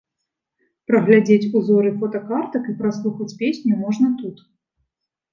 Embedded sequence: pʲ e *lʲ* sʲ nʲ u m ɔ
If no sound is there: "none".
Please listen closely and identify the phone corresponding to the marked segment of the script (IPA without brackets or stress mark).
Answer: none